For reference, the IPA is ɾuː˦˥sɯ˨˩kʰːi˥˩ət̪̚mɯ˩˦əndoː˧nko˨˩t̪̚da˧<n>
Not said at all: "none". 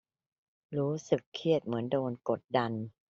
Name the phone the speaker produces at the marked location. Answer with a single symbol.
n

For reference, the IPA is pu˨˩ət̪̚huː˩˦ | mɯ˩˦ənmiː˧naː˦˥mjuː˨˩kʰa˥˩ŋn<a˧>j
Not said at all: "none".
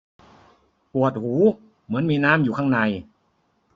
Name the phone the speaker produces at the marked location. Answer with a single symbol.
a˧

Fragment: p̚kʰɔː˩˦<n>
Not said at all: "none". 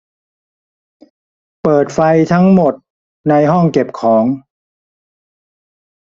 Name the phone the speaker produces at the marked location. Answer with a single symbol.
ŋ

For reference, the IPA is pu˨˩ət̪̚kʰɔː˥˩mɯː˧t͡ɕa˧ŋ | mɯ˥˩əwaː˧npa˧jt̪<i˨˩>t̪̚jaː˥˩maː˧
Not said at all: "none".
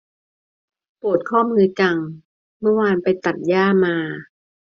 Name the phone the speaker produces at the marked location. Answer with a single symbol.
a˨˩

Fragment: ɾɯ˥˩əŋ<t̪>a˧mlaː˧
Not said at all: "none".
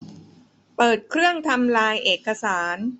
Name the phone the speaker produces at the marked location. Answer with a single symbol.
t̪ʰ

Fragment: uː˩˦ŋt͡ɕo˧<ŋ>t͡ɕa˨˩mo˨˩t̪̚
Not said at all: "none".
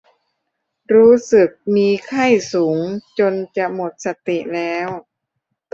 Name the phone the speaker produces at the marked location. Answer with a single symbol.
n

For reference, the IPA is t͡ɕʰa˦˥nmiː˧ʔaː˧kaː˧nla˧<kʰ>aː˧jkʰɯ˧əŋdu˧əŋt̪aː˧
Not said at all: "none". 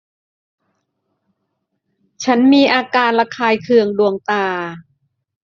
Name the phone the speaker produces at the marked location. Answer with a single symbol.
kʰ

